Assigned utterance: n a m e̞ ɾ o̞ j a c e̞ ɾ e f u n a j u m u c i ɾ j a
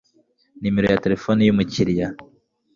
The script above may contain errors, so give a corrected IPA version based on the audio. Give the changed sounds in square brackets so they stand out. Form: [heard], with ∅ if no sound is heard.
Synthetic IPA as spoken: n [i] m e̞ ɾ o̞ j a [t] e̞ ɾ e f [o] n [i] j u m u c i ɾ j a